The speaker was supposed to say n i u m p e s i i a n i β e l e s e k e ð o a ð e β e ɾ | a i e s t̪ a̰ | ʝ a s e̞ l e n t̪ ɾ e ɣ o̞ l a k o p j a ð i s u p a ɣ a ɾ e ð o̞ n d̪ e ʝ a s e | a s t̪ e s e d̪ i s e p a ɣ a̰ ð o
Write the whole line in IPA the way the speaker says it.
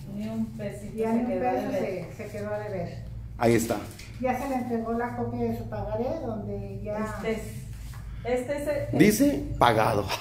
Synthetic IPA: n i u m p e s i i a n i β e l e s e k e ð o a ð e β e ɾ | a i e s t̪ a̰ | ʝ a s e̞ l e n t̪ ɾ e ɣ o̞ l a k o p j a ð e s u p a ɣ a ɾ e ð o̞ n d̪ e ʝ a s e | e s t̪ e s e d̪ i s e p a ɣ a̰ ð o